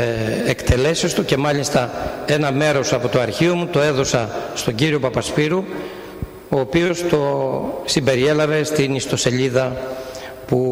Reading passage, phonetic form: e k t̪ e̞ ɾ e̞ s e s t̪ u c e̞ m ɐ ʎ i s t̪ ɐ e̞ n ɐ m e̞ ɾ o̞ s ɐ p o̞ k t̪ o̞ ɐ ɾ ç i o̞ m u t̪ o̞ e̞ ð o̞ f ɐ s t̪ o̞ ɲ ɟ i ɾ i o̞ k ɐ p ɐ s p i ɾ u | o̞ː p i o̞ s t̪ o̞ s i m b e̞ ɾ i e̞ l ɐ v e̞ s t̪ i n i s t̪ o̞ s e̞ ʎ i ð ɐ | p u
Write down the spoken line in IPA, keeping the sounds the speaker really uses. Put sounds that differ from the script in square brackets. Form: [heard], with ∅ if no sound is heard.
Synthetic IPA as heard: e k t̪ e̞ [l] e̞ s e s t̪ u c e̞ m ɐ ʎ i s t̪ ɐ e̞ n ɐ m e̞ ɾ o̞ s ɐ p o̞ [∅] t̪ o̞ ɐ ɾ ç i o̞ m u t̪ o̞ e̞ ð o̞ [s] ɐ s t̪ o̞ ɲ ɟ i ɾ i o̞ [p] ɐ p ɐ s p i ɾ u | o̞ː p i o̞ s t̪ o̞ s i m b e̞ ɾ i e̞ l ɐ v e̞ s t̪ i n i s t̪ o̞ s e̞ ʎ i ð ɐ | p u